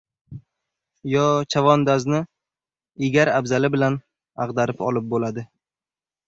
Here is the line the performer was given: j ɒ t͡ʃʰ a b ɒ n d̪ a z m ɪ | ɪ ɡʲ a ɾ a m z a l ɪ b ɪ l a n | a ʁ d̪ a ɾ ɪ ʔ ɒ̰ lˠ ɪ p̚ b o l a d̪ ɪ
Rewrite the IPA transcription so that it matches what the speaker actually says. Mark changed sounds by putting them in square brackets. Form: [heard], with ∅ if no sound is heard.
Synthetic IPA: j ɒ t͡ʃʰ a [v] ɒ n d̪ a z [n] ɪ | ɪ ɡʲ a ɾ a [b] z a l ɪ b ɪ l a n | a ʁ d̪ a ɾ ɪ [p] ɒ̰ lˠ ɪ p̚ b o l a d̪ ɪ